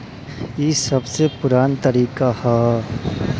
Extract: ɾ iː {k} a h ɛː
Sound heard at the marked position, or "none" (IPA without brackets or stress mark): k